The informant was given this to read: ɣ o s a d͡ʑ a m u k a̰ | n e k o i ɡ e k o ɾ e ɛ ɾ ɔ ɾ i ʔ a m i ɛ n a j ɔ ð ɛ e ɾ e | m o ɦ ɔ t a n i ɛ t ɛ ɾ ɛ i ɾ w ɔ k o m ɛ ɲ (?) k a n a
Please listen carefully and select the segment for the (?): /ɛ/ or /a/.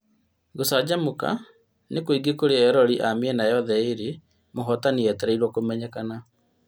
ɛ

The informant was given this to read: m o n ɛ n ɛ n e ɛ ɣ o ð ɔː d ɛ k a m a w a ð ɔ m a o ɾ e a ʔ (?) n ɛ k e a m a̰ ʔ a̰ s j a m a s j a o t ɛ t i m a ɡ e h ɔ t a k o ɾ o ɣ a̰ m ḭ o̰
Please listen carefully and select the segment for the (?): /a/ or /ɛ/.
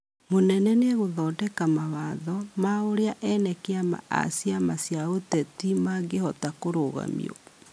ɛ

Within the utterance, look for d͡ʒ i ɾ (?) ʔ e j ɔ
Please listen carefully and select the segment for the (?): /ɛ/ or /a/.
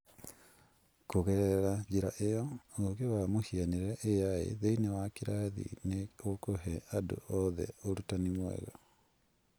a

